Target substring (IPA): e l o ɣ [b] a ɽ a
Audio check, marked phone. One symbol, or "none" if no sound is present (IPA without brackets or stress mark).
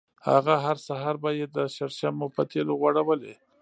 w